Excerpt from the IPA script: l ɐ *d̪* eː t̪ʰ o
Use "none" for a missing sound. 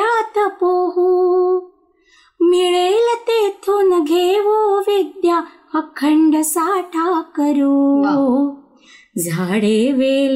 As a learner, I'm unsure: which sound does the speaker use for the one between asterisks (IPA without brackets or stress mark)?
t̪